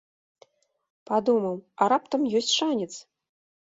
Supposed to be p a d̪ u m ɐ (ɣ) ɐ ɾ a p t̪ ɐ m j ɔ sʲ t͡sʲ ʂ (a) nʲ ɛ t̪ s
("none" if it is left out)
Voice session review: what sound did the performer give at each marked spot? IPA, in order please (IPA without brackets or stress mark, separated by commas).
w, a